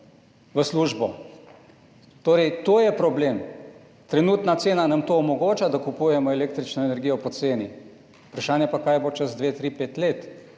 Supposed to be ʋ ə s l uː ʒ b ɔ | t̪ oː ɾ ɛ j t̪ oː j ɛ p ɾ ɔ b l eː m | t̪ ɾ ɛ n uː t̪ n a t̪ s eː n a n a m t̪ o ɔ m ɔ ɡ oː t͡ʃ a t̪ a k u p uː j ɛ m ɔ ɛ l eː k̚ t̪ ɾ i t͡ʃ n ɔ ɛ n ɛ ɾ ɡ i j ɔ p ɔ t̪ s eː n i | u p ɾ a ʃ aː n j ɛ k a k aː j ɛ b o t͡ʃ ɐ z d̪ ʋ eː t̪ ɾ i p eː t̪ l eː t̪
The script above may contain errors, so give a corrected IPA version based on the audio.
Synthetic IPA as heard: ʋ ə s l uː ʒ b ɔ | t̪ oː ɾ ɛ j t̪ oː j ɛ p ɾ ɔ b l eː m | t̪ ɾ ɛ n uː t̪ n a t̪ s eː n a n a m t̪ o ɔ m ɔ ɡ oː t͡ʃ a d̪ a k u p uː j ɛ m ɔ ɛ l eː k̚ t̪ ɾ i t͡ʃ n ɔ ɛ n ɛ ɾ ɡ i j ɔ p ɔ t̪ s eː n i | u p ɾ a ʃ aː n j ɛ p a k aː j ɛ b o t͡ʃ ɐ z d̪ ʋ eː t̪ ɾ i p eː t̪ l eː t̪